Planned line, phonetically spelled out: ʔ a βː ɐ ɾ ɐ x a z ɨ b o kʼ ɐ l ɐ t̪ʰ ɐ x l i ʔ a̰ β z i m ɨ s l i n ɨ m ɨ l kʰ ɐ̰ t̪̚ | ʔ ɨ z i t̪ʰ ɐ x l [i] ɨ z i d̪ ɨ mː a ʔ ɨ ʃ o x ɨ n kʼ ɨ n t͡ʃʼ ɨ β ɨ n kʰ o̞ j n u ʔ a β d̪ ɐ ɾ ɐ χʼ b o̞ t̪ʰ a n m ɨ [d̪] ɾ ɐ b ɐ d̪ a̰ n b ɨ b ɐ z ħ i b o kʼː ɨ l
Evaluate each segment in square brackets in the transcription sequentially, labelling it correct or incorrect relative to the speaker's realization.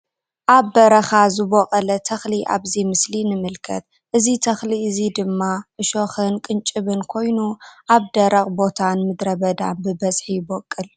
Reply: correct, correct

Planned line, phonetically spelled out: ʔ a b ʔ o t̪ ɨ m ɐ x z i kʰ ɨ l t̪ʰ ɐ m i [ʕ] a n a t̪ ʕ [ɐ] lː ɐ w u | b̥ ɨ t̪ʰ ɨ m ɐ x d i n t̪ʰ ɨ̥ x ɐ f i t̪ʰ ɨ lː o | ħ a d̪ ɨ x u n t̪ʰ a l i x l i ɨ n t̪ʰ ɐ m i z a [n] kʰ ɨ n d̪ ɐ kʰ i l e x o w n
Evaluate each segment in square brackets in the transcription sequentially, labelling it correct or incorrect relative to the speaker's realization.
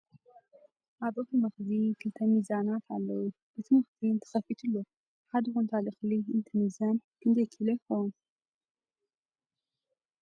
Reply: incorrect, incorrect, correct

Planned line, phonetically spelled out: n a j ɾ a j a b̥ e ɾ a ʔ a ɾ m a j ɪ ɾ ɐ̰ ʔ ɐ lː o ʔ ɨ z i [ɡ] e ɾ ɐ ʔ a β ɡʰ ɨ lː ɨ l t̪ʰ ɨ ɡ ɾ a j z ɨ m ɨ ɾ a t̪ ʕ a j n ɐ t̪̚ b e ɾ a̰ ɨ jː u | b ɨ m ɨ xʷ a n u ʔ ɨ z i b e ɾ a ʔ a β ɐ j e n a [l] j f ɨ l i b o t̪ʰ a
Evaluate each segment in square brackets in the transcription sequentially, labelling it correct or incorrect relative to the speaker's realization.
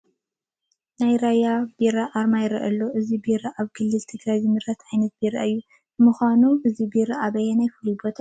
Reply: incorrect, incorrect

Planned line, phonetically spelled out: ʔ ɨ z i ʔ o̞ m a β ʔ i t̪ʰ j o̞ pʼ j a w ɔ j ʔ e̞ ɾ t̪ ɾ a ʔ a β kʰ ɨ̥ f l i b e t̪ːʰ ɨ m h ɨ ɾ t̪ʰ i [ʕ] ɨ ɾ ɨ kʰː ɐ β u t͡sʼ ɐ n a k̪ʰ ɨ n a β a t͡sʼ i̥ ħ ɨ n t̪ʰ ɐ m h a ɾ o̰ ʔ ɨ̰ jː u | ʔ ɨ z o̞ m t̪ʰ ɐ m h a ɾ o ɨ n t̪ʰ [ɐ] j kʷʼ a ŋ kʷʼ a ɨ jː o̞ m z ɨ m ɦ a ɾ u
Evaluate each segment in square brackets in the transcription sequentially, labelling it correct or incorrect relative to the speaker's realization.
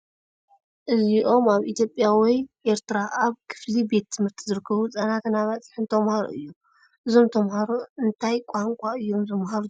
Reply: incorrect, incorrect

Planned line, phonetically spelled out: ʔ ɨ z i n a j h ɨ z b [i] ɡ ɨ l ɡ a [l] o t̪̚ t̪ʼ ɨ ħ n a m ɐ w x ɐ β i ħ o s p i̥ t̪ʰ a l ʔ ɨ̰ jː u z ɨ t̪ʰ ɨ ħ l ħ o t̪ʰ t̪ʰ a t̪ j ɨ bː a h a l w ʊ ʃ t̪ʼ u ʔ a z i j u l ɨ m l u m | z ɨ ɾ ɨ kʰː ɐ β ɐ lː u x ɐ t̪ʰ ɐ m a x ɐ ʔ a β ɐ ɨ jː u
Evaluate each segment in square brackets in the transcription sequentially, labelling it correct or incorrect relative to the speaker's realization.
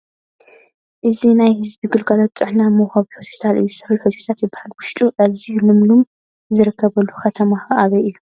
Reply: correct, correct

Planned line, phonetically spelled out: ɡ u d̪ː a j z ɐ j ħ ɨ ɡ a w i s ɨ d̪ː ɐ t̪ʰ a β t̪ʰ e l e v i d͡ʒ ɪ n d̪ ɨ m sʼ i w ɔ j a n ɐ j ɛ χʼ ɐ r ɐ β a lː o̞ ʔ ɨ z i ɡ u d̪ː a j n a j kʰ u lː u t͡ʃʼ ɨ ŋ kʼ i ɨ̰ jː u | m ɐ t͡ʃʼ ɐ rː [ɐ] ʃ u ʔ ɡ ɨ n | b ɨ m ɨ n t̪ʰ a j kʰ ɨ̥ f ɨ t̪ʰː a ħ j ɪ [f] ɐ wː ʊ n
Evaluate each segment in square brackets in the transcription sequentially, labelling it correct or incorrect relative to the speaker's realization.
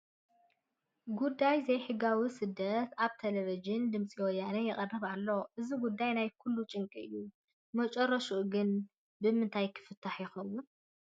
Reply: correct, incorrect

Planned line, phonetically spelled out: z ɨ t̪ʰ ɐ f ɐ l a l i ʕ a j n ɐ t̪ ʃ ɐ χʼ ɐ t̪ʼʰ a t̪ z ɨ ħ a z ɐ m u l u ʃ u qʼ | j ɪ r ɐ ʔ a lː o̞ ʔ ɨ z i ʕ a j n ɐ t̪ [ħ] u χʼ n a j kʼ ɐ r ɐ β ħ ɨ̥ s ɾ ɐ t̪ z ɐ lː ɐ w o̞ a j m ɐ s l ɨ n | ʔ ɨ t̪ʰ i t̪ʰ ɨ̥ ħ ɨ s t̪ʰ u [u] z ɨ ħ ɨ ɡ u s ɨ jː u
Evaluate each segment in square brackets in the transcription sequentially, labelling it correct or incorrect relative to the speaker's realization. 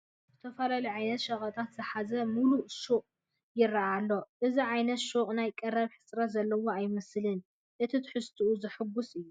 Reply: incorrect, correct

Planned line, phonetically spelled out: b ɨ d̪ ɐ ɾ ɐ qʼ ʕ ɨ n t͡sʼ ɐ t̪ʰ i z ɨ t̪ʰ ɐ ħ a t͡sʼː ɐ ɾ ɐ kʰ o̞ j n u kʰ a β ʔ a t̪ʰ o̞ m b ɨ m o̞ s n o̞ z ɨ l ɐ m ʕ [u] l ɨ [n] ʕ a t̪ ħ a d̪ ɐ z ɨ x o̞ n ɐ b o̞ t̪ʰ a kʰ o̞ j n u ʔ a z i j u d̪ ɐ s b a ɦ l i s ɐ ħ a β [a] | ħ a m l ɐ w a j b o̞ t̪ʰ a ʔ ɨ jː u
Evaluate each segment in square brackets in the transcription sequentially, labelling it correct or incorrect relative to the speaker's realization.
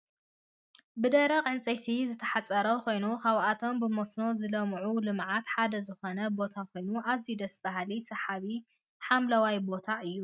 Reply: correct, incorrect, incorrect

